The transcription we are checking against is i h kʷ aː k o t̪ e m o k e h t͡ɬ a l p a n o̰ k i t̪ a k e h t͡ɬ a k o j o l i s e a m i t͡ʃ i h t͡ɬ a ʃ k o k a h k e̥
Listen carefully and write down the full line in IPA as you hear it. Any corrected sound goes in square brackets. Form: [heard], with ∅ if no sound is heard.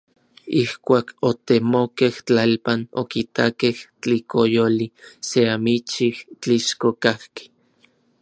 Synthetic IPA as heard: i h kʷ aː k o t̪ e m o k e h t͡ɬ a l p a n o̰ k i t̪ a k e h t͡ɬ [i] k o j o l i s e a m i t͡ʃ i h t͡ɬ [i] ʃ k o k a h k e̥